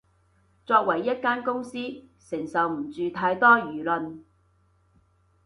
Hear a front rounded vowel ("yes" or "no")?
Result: yes